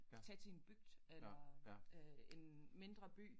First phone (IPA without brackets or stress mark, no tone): t͡sʰ